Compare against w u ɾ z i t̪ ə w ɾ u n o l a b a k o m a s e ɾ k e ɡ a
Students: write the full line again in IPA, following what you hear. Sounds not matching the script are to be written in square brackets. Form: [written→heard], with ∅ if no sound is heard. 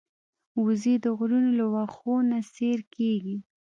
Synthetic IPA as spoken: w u [ɾ→∅] z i [t̪→d̪] ə [w→ɣ] ɾ u n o l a [b→w] a [k→x] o [m→n] a s e ɾ k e ɡ [a→i]